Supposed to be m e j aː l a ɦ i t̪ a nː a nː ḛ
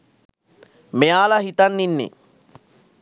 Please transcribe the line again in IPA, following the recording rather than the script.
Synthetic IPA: m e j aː l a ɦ i t̪ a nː i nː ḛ

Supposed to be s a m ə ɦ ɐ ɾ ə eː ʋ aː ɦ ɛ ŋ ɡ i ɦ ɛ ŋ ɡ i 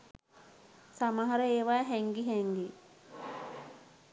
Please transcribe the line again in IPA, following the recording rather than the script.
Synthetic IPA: s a m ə ɦ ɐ ɾ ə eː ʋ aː ɦ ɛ ŋ ɡ i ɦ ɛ ŋ ɡ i

